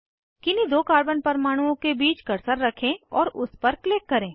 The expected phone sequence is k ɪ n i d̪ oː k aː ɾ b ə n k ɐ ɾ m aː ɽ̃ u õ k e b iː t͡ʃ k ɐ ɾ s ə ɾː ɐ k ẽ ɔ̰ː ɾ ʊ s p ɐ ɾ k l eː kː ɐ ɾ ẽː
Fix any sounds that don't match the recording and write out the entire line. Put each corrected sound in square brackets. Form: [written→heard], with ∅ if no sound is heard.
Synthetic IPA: k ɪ n i d̪ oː k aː ɾ b ə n [k→p] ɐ ɾ m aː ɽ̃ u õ k e b iː t͡ʃ k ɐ ɾ s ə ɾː ɐ [k→kʰ] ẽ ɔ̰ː ɾ ʊ s p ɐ ɾ k l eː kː ɐ ɾ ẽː